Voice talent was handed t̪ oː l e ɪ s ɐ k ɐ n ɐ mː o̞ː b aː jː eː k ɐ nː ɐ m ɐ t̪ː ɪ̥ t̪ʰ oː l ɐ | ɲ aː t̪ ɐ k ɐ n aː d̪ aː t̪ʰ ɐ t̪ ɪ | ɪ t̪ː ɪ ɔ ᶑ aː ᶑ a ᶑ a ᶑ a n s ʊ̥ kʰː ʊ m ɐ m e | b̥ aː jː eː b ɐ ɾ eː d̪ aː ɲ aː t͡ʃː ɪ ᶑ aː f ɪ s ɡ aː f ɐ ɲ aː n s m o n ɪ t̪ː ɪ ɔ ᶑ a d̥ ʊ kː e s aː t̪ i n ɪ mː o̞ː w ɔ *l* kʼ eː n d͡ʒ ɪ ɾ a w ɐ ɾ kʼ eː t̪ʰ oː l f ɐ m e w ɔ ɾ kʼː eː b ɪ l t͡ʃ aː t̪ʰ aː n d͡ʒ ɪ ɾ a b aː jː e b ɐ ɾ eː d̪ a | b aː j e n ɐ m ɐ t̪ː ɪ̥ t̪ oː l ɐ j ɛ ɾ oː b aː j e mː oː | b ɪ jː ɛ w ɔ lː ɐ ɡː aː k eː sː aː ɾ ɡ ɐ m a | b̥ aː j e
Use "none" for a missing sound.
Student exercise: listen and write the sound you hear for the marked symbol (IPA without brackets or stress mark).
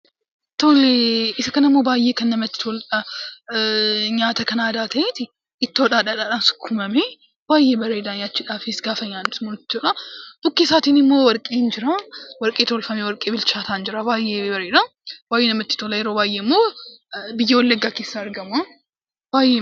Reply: ɾ